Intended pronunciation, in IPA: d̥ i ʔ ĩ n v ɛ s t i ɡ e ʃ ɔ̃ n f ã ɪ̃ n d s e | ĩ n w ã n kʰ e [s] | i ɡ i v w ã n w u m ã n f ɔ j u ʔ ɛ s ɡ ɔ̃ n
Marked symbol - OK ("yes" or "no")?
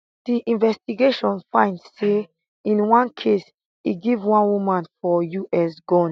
yes